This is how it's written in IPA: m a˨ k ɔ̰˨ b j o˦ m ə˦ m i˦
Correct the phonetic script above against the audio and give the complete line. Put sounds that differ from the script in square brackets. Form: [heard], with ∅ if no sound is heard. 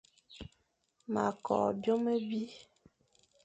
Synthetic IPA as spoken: m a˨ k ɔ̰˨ b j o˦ m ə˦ [b] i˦